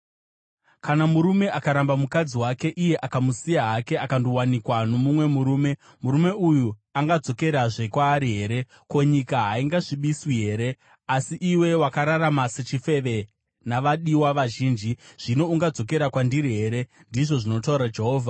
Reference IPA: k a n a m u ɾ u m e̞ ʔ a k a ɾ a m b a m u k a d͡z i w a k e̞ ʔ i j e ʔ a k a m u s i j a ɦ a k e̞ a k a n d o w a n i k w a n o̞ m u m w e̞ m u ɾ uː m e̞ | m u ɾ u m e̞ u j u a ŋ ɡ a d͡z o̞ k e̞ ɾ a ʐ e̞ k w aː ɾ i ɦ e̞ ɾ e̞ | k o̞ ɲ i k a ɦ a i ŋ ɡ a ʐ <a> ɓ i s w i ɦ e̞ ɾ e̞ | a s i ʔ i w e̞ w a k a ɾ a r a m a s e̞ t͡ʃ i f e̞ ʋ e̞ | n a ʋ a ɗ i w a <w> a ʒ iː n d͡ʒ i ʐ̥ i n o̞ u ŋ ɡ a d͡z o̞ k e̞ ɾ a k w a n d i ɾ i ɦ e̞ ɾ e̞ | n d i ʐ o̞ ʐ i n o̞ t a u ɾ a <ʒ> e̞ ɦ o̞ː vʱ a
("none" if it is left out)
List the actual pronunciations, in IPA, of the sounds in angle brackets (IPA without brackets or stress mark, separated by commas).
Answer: i, ʋ, d͡ʒ